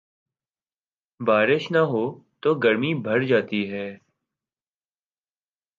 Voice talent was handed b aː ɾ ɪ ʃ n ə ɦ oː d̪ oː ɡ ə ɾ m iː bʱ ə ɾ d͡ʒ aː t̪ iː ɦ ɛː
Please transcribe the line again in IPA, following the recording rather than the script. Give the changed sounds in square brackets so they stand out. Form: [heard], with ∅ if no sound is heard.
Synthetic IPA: b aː ɾ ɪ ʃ n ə ɦ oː [t̪] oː ɡ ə ɾ m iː bʱ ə ɾ d͡ʒ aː t̪ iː ɦ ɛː